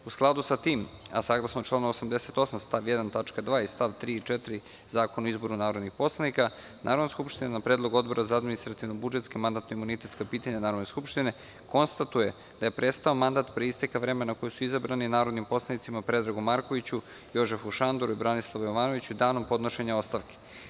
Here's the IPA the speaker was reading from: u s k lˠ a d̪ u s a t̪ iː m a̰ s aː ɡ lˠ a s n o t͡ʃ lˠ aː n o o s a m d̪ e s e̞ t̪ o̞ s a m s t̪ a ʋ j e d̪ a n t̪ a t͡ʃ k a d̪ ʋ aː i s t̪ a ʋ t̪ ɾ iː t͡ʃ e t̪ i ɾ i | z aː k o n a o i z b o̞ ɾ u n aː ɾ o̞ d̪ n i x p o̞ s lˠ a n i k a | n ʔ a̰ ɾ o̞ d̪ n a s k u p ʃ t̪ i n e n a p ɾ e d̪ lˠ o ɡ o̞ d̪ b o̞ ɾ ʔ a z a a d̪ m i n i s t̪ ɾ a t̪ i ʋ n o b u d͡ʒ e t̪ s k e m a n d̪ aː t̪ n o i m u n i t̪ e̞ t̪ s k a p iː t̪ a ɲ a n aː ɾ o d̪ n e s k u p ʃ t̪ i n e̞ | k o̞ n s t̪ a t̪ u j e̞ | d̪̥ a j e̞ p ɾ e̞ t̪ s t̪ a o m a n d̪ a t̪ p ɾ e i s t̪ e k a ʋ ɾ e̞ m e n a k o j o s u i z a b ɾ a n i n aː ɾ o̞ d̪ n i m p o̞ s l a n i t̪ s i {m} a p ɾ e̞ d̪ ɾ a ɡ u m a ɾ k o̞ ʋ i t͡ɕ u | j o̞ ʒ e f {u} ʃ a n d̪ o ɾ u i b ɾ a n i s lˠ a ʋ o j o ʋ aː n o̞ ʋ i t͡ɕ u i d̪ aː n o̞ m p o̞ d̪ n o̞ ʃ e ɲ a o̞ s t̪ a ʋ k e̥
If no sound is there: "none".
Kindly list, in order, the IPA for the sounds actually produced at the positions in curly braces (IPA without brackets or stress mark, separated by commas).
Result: m, u